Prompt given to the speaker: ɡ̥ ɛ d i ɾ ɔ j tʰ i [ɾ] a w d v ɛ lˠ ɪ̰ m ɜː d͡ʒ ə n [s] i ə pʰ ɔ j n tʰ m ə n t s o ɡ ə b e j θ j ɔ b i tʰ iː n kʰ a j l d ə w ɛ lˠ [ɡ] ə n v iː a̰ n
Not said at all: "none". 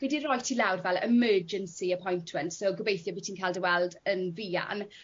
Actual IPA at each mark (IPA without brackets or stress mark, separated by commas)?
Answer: l, s, d